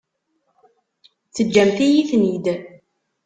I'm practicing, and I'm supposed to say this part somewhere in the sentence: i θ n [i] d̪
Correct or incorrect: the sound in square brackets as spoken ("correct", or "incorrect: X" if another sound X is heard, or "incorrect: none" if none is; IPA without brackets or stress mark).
correct